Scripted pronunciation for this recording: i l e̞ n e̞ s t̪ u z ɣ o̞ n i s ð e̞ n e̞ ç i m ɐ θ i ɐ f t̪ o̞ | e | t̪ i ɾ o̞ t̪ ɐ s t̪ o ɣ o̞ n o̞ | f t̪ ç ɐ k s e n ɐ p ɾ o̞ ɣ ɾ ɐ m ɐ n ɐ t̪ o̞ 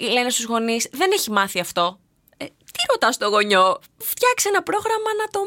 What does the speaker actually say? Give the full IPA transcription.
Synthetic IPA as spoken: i l e̞ n e̞ s t̪ u z ɣ o̞ n i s ð e̞ n e̞ ç i m ɐ θ i ɐ f t̪ o̞ | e | t̪ i ɾ o̞ t̪ ɐ s t̪ o ɣ o̞ ɲ o̞ | f t̪ ç ɐ k s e n ɐ p ɾ o̞ ɣ ɾ ɐ m ɐ n ɐ t̪ o̞